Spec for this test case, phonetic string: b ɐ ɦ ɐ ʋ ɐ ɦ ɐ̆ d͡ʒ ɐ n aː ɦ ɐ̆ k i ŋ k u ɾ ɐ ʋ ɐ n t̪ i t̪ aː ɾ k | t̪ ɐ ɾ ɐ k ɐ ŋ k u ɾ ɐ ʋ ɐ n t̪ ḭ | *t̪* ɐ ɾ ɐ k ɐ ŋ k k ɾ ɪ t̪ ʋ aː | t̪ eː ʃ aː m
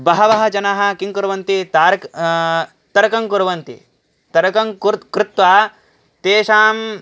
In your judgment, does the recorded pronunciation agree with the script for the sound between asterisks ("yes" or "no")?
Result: yes